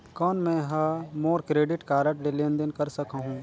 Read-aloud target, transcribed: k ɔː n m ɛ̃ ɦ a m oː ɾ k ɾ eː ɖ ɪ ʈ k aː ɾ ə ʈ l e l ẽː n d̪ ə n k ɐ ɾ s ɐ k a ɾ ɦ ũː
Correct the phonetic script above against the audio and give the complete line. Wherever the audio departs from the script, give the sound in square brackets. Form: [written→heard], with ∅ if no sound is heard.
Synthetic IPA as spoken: k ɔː n m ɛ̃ ɦ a m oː ɾ k ɾ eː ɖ ɪ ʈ k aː ɾ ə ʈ l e l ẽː n d̪ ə n k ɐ ɾ s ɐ k a [ɾ→∅] ɦ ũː